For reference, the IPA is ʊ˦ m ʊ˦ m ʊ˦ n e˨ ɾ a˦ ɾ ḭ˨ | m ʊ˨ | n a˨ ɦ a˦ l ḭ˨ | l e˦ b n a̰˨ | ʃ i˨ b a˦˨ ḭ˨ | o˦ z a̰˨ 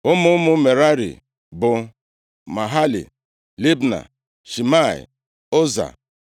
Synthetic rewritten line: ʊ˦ m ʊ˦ m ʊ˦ m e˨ ɾ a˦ ɾ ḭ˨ | b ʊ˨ | m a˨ ɦ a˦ l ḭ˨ | l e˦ b n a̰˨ | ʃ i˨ m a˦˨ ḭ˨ | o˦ z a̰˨